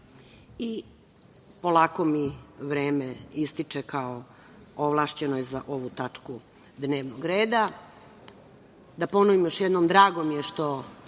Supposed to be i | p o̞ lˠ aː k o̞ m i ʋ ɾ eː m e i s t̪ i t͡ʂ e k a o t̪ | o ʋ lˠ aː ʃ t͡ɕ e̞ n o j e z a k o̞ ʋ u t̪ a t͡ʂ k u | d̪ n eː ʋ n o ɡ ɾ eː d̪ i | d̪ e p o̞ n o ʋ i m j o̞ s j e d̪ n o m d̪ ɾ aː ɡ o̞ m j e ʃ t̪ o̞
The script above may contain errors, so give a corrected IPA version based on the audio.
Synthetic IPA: i | p o̞ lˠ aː k o̞ m i ʋ ɾ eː m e i s t̪ i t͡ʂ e k a o | o ʋ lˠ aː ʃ t͡ɕ e̞ n o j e z a ʔ o̞ ʋ u t̪ a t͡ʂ k u | d̪ n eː ʋ n o ɡ ɾ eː d̪ a | d̪ a p o̞ n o ʋ i m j o̞ ʃ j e d̪ n o m d̪ ɾ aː ɡ o̞ m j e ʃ t̪ o̞